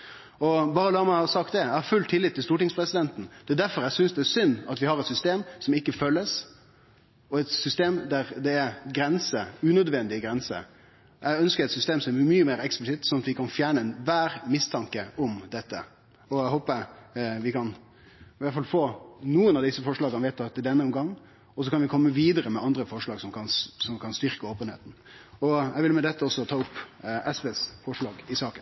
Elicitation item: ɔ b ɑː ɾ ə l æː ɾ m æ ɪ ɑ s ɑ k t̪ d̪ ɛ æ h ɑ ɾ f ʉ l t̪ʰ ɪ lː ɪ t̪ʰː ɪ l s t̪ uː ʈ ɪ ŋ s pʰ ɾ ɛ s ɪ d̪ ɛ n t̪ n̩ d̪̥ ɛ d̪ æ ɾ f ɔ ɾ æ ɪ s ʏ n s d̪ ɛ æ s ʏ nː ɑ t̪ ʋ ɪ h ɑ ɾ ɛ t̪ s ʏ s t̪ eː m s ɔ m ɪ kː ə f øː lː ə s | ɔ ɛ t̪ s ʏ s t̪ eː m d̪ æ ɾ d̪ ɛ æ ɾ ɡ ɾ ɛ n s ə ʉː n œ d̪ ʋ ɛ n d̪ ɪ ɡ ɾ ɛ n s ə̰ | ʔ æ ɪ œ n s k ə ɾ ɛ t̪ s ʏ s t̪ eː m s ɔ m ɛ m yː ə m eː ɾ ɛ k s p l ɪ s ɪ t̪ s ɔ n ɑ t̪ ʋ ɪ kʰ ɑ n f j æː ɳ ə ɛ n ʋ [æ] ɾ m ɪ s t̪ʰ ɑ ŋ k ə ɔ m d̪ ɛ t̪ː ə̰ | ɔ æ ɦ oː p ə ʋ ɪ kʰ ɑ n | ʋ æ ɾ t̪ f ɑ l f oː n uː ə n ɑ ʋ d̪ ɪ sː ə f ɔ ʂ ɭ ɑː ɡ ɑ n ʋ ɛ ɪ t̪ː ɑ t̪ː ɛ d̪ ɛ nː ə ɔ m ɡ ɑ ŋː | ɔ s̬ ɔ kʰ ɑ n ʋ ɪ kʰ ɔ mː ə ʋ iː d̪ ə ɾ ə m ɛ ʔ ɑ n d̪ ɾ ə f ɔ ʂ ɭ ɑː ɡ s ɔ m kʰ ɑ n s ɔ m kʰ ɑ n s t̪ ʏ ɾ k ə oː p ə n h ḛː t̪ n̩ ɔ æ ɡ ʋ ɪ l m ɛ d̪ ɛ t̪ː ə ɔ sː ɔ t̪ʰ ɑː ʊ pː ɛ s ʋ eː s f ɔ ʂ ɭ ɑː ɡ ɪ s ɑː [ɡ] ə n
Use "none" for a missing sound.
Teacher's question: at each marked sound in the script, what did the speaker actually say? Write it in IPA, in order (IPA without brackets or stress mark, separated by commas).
æː, k